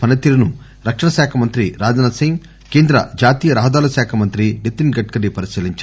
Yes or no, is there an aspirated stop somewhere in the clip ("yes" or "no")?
yes